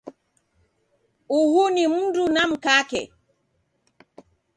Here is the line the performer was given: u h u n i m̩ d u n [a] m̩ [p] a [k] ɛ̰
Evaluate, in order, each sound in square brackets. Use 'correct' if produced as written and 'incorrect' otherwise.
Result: correct, incorrect: k, correct

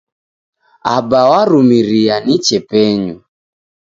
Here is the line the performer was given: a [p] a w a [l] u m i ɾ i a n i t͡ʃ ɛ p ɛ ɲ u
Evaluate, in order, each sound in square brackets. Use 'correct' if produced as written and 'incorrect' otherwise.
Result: incorrect: b, incorrect: ɾ

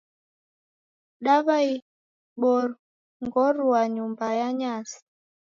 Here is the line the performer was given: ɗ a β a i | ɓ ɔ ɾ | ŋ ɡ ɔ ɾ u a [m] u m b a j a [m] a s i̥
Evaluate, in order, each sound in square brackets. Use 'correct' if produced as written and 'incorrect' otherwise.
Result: incorrect: ɲ, incorrect: ɲ

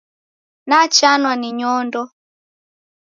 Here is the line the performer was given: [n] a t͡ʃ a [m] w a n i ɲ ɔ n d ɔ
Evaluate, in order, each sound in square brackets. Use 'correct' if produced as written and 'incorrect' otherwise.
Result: correct, incorrect: n

